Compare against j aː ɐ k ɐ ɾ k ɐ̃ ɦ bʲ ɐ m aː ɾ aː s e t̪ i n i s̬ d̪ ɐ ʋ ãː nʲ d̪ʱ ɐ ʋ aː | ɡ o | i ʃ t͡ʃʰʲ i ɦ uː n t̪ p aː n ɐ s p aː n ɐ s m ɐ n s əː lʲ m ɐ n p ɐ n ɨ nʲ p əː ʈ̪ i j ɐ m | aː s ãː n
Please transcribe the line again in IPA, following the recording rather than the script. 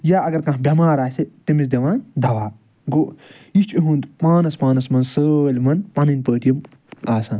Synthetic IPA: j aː ɐ ɡ ɐ ɾ k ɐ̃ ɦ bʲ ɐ m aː ɾ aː s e t̪ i m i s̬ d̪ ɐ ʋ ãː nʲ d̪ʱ ɐ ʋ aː | ɡ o | i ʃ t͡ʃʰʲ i ɦ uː n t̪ p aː n ɐ s p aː n ɐ s m ɐ n s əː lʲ m ɐ n p ɐ n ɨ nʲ p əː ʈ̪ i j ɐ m | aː s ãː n